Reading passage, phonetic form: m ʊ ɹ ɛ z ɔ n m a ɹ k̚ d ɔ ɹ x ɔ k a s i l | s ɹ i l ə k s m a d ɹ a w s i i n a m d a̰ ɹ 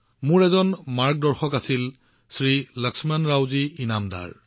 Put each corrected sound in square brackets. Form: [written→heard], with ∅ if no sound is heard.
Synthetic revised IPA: m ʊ ɹ ɛ z ɔ n m a ɹ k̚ d ɔ ɹ x ɔ k a s i l | s ɹ i l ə k s m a [d→n] ɹ a w [s→z] i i n a m d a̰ ɹ